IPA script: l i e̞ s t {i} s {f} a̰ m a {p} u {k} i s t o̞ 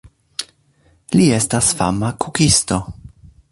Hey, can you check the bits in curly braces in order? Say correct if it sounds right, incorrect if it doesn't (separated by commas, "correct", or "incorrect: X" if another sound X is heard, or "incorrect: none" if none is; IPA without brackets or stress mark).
incorrect: a, correct, incorrect: k, correct